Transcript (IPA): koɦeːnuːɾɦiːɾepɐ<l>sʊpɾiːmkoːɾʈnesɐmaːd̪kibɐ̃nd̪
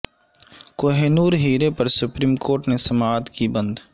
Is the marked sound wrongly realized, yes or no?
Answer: yes